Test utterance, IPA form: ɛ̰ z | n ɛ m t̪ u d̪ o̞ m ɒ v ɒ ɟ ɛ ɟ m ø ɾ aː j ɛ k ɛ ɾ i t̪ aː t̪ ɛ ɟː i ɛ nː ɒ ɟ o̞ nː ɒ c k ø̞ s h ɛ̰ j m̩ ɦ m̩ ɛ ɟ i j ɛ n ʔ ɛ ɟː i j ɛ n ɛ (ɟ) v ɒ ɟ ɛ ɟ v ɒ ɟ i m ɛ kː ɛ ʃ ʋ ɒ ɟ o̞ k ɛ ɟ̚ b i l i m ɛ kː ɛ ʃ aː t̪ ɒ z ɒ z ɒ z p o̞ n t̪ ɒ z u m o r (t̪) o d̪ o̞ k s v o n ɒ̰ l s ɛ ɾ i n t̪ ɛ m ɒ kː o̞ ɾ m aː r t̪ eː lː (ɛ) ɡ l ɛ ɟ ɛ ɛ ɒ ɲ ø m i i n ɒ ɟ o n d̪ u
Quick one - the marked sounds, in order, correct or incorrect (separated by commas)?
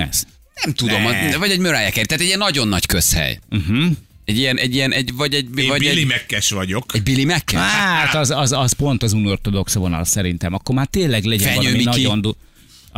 correct, correct, correct